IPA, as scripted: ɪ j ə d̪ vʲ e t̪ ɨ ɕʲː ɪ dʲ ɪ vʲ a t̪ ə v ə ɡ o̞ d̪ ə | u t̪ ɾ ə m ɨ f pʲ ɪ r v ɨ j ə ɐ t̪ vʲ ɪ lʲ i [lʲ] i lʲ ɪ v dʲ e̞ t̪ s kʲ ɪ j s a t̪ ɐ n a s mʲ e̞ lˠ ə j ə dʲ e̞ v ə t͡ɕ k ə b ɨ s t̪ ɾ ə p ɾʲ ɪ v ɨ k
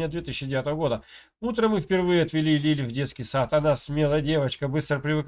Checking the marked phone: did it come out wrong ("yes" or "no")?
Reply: no